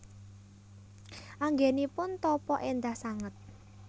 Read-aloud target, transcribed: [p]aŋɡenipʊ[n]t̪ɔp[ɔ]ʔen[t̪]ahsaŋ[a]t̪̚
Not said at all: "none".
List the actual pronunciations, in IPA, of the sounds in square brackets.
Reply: ʔ, n, ɔ, d̪, ə

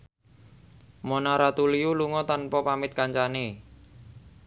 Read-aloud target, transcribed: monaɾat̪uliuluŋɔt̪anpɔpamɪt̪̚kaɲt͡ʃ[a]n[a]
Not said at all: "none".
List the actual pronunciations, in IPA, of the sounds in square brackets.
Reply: a, e

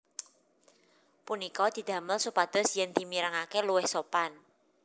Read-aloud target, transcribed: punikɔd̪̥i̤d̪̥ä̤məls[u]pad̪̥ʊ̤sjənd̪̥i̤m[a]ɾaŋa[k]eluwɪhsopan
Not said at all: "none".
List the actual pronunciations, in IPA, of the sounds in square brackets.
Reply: u, i, k

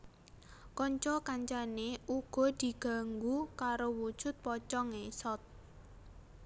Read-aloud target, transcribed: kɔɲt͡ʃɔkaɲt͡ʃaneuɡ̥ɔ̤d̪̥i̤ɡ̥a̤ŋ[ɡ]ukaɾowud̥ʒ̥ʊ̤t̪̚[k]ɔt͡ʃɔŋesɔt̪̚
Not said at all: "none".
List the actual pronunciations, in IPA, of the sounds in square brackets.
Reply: ɡ, p

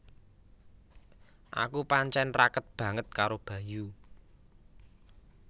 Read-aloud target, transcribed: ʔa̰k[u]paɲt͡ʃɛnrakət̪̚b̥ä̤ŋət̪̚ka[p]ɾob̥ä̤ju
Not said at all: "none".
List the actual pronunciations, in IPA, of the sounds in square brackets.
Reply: u, none

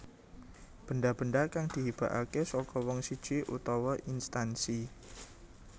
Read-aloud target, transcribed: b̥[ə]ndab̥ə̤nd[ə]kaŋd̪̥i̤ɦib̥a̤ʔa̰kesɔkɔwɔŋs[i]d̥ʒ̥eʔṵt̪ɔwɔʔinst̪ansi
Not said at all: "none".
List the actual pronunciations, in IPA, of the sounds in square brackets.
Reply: ə, a, i

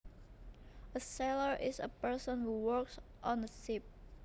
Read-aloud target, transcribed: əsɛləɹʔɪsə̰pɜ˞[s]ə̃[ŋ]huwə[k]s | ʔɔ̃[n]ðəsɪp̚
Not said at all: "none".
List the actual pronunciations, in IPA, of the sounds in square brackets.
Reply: s, n, k, n

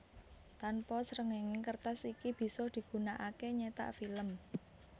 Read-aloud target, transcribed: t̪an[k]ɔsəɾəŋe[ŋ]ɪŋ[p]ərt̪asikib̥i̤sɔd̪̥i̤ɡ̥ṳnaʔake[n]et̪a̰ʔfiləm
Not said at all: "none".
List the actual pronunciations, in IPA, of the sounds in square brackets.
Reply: p, ŋ, k, ɲ

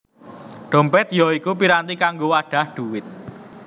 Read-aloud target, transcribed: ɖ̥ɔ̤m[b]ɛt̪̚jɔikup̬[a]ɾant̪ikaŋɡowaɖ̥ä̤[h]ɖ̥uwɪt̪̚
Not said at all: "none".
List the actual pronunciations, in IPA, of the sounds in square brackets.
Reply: p, i, h

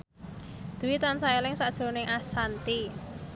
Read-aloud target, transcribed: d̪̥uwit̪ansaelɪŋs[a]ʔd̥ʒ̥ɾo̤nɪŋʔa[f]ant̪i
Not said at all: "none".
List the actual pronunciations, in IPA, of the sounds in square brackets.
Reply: a, s

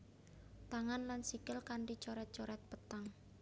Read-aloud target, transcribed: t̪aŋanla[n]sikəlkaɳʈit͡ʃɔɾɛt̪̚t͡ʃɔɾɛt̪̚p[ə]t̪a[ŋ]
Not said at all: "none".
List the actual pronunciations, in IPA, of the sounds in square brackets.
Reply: n, ə, ŋ

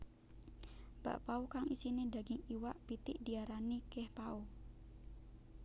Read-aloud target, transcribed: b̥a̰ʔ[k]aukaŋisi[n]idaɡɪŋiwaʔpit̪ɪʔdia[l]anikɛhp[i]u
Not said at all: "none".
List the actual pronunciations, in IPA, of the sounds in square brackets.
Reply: p, n, ɾ, a

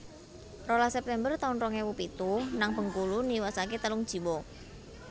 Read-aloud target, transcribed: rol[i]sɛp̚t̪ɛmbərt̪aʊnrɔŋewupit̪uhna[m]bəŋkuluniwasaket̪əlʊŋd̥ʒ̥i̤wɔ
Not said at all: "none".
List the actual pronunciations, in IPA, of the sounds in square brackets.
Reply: a, ŋ

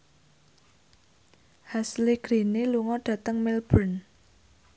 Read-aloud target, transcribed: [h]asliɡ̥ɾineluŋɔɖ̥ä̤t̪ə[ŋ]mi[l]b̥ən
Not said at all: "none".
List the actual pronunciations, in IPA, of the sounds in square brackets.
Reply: h, ŋ, l

